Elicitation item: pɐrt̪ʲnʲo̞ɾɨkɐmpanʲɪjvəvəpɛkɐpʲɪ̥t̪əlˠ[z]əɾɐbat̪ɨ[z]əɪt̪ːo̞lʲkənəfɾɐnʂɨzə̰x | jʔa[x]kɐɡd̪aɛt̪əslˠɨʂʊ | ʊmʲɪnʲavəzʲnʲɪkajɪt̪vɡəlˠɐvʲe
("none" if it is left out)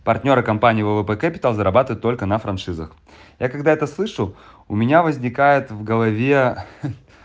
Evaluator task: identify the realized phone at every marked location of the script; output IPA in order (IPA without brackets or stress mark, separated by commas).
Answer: z, v, none